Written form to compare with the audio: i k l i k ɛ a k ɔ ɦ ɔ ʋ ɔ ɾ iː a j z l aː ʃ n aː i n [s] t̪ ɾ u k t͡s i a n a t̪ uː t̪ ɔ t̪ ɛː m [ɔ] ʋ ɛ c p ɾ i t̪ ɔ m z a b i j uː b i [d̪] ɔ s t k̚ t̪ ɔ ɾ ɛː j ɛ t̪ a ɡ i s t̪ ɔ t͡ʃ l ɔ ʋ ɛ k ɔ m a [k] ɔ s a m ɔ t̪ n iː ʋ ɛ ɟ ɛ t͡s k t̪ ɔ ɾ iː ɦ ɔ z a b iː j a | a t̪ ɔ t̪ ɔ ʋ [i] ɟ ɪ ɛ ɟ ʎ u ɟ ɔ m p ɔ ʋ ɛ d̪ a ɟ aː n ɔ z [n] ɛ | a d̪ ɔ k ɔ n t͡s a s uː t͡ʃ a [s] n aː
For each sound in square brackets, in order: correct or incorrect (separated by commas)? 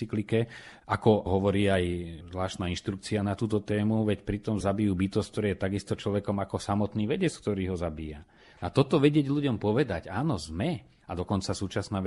incorrect, incorrect, incorrect, correct, incorrect, incorrect, correct